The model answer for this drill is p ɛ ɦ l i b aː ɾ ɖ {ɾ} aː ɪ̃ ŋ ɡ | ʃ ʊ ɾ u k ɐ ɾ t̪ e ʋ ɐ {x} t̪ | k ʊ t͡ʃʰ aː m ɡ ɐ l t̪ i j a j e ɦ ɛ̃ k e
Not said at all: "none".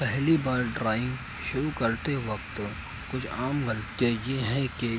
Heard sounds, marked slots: ɾ, k

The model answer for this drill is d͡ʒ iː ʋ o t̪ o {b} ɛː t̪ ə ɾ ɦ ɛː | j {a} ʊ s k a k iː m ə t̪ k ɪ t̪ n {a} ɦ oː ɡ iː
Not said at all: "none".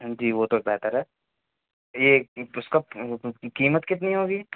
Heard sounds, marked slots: b, e, i

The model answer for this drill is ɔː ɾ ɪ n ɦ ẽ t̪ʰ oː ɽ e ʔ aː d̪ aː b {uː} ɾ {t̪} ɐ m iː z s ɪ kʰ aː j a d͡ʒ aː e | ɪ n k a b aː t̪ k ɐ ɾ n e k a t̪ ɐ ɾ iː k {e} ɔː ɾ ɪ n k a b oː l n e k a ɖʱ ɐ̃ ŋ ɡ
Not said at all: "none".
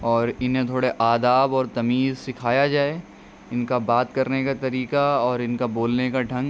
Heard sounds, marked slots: ɔː, t̪, a

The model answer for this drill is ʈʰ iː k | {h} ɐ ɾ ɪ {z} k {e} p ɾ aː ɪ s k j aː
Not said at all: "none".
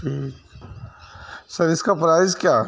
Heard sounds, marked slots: s, s, a

